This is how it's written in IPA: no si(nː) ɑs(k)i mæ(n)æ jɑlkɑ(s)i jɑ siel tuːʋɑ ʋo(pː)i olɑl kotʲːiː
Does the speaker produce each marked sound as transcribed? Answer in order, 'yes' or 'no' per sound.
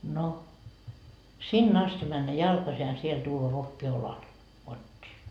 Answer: yes, no, no, yes, no

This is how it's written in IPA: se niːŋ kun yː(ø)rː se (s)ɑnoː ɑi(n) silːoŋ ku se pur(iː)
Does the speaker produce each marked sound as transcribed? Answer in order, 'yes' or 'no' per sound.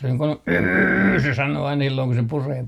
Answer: no, yes, yes, no

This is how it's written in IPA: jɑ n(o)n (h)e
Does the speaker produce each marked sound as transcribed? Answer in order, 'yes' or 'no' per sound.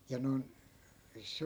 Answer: yes, no

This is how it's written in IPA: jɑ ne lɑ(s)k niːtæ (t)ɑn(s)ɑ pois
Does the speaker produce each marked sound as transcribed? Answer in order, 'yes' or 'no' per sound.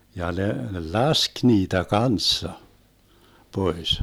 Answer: yes, no, no

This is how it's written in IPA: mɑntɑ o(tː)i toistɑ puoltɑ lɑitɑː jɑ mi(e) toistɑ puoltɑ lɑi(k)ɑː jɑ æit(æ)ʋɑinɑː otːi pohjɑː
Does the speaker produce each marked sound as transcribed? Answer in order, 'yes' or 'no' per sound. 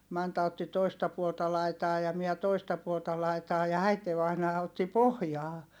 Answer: yes, no, no, no

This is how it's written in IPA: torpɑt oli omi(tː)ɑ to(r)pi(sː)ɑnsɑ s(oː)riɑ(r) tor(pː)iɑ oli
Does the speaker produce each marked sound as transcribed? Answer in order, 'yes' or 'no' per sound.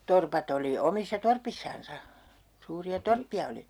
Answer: no, yes, yes, no, no, yes

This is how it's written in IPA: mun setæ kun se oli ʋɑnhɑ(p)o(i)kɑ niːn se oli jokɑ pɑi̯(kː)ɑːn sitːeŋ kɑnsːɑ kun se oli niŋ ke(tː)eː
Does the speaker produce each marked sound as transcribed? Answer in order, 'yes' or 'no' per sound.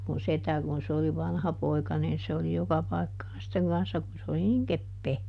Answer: yes, yes, yes, no

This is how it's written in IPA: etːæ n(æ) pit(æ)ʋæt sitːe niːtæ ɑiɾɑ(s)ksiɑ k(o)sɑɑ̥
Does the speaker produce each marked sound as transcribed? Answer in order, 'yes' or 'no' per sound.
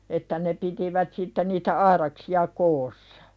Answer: no, no, no, no

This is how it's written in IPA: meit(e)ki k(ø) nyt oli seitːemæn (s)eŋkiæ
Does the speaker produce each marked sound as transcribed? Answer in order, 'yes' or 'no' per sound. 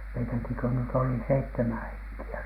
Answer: no, yes, no

